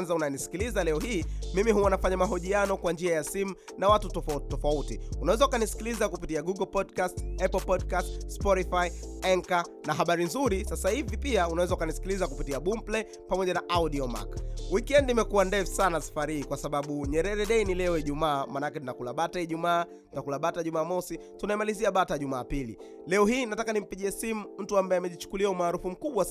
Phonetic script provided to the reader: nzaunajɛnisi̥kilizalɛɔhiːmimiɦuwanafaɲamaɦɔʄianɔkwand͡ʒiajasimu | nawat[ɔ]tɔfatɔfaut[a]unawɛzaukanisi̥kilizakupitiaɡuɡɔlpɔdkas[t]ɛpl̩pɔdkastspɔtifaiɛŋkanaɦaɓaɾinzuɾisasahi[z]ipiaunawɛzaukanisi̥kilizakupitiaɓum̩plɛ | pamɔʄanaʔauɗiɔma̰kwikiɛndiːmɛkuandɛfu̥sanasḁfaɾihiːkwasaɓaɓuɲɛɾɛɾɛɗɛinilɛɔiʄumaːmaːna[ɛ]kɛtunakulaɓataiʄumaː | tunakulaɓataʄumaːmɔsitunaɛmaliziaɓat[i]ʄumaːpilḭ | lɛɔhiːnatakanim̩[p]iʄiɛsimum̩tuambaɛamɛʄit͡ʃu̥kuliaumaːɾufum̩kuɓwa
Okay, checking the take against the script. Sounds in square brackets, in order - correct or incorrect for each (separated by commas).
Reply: incorrect, incorrect, correct, incorrect, incorrect, incorrect, correct